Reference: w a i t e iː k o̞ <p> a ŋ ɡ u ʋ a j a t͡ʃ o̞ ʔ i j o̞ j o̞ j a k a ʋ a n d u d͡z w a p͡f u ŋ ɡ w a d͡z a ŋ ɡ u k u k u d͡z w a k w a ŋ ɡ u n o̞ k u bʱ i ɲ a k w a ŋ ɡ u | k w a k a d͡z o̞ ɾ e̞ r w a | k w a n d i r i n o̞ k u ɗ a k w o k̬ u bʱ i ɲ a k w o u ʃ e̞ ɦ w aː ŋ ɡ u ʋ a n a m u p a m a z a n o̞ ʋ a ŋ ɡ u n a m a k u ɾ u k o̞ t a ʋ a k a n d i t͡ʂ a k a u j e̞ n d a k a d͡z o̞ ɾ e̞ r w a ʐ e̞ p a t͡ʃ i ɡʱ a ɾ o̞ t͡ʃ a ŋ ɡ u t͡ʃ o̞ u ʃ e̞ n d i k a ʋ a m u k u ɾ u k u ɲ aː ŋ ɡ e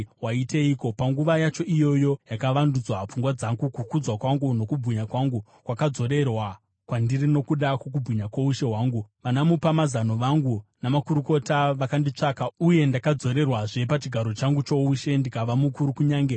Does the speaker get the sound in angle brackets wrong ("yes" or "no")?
no